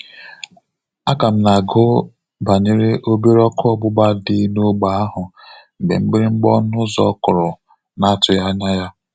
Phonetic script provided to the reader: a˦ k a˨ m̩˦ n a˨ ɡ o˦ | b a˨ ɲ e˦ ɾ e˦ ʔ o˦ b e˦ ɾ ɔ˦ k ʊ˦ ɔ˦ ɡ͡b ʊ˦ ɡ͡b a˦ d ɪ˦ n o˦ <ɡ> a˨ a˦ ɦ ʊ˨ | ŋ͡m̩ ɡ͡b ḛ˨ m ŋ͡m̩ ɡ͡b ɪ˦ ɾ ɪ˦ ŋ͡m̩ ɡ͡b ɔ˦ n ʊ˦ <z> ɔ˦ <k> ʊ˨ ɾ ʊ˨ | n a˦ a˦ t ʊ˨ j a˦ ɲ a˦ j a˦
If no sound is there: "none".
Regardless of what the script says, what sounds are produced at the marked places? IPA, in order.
ɡ͡b, z, k

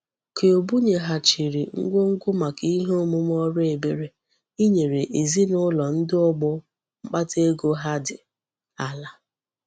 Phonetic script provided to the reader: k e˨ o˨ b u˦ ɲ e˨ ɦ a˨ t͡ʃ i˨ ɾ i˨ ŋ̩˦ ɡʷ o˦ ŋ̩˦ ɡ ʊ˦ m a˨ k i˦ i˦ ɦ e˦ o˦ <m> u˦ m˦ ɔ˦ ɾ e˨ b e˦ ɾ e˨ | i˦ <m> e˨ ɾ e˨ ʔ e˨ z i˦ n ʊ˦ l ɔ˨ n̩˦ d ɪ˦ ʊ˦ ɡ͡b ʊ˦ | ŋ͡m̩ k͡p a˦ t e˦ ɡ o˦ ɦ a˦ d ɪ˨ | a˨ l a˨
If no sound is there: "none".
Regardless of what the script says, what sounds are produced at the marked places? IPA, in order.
m, ɲ

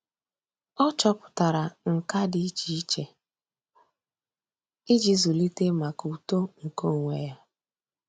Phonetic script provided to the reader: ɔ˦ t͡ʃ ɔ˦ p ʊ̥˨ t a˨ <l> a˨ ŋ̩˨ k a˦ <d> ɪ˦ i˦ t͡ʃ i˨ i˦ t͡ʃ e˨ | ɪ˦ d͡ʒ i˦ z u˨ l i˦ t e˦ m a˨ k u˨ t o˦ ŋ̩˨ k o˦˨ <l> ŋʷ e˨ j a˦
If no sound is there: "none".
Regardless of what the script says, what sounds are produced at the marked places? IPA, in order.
ɾ, d, none

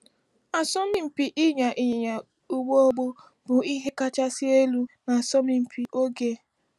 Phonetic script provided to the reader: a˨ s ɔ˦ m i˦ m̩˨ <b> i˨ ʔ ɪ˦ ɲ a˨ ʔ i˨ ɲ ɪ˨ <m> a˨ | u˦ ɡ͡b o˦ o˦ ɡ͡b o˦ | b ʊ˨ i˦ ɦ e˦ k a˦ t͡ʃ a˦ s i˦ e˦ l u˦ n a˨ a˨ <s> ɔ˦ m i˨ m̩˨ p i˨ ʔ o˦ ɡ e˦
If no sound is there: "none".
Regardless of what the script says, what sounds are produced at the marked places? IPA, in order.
p, ɲ, s

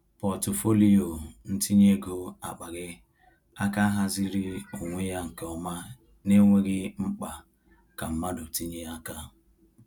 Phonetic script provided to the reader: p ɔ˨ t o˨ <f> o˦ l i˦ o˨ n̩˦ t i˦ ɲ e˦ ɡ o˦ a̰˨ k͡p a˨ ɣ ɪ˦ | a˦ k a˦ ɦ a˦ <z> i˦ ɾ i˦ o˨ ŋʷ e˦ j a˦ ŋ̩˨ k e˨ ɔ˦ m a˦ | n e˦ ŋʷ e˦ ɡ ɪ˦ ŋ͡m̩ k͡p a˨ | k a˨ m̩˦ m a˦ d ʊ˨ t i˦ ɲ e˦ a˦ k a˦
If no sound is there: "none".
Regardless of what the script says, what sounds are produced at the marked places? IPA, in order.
f, z

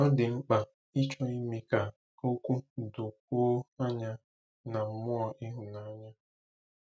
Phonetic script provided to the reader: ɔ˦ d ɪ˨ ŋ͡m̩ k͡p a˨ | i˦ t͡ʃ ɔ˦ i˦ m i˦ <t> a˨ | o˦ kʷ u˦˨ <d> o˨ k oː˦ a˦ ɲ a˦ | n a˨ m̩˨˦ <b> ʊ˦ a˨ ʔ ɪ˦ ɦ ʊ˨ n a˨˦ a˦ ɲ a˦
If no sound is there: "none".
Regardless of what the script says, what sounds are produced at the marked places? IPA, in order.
k, d, m

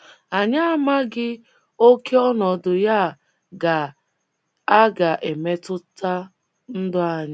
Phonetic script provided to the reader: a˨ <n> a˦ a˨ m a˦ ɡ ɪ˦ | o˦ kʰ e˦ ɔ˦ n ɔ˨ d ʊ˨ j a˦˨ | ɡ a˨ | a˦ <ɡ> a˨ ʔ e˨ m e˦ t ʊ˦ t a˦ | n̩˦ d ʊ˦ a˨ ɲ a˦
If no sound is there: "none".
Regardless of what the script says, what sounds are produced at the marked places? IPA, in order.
ɲ, ɡ

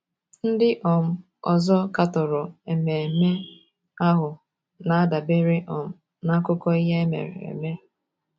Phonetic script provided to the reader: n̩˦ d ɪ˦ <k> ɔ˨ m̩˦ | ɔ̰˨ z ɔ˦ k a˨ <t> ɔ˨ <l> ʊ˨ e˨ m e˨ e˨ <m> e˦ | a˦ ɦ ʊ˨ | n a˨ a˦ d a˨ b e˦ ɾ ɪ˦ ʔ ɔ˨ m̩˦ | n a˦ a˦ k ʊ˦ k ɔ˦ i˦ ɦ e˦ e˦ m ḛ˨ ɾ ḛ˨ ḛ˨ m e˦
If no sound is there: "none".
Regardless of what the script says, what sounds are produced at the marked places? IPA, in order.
ʔ, t, ɾ, m

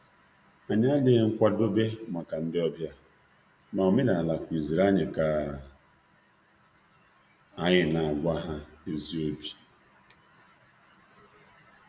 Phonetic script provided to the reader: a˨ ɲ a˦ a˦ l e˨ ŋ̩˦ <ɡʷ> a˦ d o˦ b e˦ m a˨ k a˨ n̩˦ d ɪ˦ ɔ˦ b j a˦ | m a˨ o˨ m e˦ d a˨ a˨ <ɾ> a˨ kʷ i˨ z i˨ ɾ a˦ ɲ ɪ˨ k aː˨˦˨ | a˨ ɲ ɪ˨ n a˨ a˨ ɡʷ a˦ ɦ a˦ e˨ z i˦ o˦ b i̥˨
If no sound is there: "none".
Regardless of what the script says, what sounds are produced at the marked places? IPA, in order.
kʷ, l

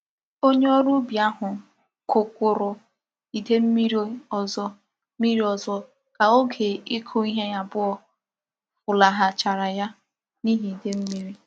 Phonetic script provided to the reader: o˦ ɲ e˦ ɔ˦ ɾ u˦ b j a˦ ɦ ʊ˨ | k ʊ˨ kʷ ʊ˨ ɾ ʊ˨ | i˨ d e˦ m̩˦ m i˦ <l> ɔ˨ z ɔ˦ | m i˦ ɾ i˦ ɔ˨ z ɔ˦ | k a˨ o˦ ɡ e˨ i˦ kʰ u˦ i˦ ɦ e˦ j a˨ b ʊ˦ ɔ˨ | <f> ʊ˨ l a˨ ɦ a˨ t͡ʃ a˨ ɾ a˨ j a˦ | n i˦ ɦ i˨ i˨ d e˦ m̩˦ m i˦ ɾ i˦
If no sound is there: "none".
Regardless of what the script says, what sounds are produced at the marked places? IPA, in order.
ɾ, f

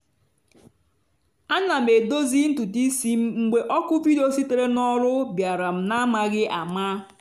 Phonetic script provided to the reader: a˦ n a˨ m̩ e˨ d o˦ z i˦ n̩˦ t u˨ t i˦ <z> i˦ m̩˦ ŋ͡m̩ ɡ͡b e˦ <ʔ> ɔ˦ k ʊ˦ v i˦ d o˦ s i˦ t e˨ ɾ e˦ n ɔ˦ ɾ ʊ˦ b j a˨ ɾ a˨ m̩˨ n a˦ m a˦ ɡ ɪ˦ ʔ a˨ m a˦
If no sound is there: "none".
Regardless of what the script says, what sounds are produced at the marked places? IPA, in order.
s, ʔ

